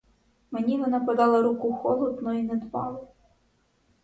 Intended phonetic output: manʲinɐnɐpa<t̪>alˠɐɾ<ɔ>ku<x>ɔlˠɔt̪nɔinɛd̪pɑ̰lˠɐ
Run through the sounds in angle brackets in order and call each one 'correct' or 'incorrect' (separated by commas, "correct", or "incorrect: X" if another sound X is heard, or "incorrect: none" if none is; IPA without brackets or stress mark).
incorrect: d̪, incorrect: u, correct